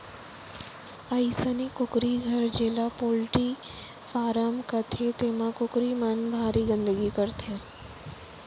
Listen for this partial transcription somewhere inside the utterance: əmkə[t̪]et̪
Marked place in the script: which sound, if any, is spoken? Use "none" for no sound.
t̪ʰ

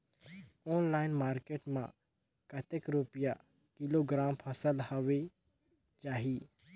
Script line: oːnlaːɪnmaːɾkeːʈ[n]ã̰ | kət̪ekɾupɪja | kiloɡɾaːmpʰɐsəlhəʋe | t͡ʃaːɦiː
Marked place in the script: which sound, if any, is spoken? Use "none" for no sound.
m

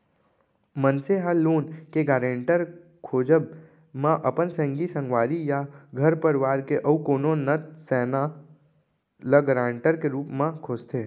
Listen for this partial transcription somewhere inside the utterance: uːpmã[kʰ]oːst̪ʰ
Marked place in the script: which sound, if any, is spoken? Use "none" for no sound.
kʰ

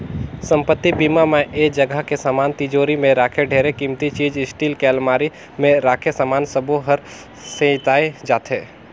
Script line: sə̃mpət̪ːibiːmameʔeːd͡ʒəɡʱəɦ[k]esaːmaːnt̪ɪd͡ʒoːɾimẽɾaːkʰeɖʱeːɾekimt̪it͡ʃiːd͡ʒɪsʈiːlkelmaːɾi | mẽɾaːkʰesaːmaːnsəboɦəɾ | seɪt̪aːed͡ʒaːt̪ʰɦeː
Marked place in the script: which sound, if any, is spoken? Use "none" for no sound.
k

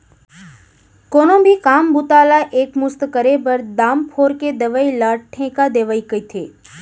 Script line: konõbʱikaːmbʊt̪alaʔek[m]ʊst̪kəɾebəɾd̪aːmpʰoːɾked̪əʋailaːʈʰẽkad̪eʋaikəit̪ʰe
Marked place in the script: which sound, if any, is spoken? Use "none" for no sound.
m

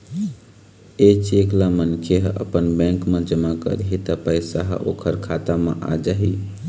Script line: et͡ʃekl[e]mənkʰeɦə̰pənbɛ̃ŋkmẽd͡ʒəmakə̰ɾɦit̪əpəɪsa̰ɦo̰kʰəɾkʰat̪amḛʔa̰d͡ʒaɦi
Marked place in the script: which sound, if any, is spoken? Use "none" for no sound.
a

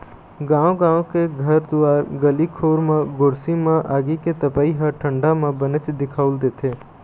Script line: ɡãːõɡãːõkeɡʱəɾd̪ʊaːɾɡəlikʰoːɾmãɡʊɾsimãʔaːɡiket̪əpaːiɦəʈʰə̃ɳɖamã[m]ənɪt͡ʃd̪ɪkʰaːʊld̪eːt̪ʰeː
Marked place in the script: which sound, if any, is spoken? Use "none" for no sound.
b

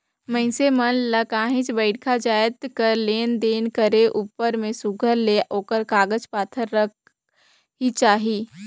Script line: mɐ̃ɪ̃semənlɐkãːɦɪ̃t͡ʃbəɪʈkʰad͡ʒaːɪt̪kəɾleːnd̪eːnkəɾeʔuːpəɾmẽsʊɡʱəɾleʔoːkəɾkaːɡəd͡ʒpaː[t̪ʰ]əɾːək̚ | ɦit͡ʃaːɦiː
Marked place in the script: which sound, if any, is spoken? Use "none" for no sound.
t̪ʰ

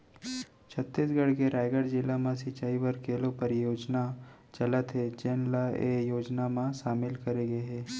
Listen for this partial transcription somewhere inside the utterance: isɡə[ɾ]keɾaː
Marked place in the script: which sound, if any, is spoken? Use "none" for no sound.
ɽ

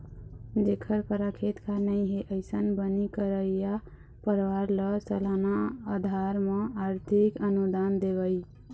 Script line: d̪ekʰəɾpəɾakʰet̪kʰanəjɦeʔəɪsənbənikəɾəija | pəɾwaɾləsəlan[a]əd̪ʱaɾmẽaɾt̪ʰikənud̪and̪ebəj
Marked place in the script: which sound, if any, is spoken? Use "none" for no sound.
a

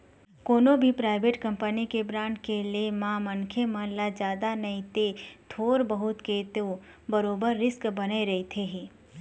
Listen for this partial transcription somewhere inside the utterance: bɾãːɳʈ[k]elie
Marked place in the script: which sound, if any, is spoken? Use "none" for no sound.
k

